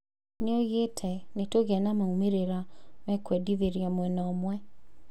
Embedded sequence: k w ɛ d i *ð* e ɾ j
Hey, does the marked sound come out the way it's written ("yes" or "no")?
yes